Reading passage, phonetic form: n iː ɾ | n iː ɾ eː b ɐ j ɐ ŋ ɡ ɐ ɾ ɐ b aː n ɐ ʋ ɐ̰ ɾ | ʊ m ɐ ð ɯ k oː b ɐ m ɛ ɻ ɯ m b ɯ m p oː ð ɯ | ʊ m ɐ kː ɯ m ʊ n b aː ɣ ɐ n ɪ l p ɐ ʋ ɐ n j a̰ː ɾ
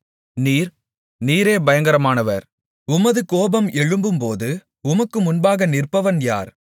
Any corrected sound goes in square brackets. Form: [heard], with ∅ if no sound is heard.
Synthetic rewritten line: n iː ɾ | n iː ɾ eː b ɐ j ɐ ŋ ɡ ɐ ɾ ɐ [m] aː n ɐ ʋ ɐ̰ ɾ | ʊ m ɐ ð ɯ k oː b ɐ m ɛ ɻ ɯ m b ɯ m p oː ð ɯ | ʊ m ɐ kː ɯ m ʊ n b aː ɣ ɐ n ɪ [r] p ɐ ʋ ɐ n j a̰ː ɾ